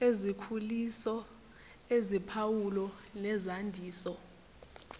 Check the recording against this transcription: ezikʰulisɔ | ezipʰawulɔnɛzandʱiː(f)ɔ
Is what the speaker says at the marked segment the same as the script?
no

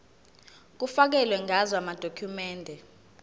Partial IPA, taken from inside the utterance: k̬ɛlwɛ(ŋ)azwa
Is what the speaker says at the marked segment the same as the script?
yes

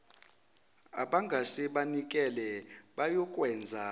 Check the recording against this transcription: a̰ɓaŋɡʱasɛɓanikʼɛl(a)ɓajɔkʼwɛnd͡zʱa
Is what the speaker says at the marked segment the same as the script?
no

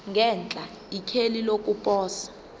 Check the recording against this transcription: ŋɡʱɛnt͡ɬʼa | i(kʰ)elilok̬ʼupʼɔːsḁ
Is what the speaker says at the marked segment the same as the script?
yes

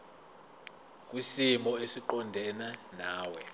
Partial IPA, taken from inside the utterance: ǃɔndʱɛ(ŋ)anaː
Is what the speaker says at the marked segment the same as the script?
no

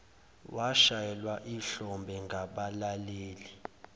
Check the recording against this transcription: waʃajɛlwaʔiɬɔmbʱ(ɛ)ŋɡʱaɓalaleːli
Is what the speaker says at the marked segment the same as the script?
yes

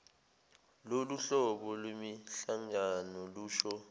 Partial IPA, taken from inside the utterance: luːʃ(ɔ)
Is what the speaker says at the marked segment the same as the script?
yes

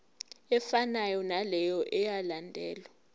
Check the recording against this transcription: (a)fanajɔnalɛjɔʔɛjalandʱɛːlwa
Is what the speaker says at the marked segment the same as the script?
no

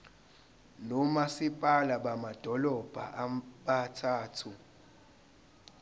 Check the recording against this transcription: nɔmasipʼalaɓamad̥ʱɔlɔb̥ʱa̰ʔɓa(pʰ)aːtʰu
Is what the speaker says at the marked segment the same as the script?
no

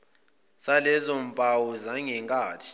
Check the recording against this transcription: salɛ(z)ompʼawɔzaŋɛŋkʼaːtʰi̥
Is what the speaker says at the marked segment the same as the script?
yes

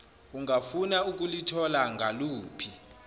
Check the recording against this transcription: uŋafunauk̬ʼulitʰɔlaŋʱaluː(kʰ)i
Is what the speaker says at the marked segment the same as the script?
no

